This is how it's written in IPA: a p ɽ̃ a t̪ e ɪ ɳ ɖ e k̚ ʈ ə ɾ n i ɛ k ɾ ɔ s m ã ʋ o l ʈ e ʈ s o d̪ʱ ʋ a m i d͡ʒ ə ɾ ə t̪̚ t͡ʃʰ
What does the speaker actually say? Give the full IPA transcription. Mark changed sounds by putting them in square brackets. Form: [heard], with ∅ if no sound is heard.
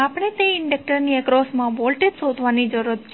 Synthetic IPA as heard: a p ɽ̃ [e] t̪ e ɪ ɳ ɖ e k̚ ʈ ə ɾ n i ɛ k ɾ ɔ s m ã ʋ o l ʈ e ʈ s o d̪ʱ ʋ a [n] i d͡ʒ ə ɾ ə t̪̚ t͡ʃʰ